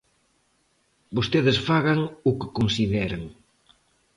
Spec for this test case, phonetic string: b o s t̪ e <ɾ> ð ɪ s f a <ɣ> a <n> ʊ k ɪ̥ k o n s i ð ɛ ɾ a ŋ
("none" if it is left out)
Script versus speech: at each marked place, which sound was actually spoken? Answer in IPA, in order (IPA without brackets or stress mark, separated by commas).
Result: none, ɣ, ŋ